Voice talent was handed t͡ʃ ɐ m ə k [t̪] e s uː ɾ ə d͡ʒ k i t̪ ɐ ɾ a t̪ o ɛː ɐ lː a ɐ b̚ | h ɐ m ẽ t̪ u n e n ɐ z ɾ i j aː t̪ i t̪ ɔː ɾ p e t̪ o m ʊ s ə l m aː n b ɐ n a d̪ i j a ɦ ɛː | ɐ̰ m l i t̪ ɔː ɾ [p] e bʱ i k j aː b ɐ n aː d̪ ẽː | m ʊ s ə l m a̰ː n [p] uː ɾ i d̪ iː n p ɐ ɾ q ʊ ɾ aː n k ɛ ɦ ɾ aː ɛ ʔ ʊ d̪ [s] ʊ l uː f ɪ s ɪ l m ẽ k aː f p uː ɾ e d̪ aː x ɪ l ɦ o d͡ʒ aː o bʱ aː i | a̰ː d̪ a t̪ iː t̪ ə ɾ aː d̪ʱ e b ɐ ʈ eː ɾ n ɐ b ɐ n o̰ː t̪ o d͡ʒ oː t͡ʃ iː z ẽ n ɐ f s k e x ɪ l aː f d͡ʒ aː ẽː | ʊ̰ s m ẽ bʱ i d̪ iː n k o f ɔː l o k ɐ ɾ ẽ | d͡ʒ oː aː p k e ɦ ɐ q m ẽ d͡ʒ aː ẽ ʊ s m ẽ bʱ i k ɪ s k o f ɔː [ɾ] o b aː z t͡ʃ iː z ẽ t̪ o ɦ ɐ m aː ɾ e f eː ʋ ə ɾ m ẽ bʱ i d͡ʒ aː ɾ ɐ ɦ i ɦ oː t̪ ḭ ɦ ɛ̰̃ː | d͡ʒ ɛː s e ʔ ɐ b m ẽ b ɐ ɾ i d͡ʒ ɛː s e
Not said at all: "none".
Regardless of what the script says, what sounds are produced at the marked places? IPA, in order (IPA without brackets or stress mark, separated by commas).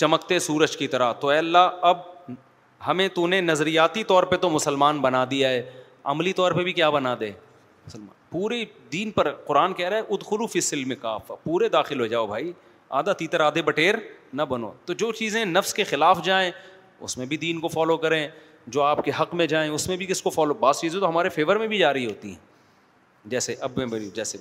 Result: t̪, p, p, x, l